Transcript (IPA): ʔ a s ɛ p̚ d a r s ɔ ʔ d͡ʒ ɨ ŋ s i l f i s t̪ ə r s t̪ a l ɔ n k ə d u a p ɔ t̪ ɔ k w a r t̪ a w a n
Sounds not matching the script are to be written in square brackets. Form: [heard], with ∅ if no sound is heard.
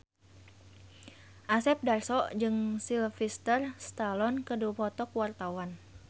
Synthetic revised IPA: ʔ a s ɛ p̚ d a r s ɔ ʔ d͡ʒ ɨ ŋ s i l f i s t̪ ə r s t̪ a l ɔ n k ə d u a p ɔ t̪ ɔ k w a r t̪ a w a n